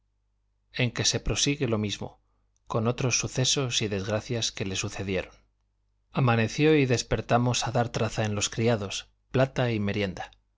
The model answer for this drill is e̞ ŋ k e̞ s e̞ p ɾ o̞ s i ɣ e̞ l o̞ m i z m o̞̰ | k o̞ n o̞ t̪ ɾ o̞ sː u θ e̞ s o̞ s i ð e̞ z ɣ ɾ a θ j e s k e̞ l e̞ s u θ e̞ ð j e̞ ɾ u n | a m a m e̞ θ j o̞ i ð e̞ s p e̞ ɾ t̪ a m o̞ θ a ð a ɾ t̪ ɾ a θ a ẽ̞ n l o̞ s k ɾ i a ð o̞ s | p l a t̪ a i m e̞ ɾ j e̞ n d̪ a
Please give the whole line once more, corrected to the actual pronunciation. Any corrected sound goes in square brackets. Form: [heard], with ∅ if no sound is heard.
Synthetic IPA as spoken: e̞ ŋ k e̞ s e̞ p ɾ o̞ s i ɣ e̞ l o̞ m i z m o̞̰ | k o̞ n o̞ t̪ ɾ o̞ sː u θ e̞ s o̞ s i ð e̞ z ɣ ɾ a θ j [a] s k e̞ l e̞ s u θ e̞ ð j e̞ ɾ [o] n | a m a [n] e̞ θ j o̞ i ð e̞ s p e̞ ɾ t̪ a m o̞ [s] a ð a ɾ t̪ ɾ a θ a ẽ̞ n l o̞ s k ɾ i a ð o̞ s | p l a t̪ a i m e̞ ɾ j e̞ n d̪ a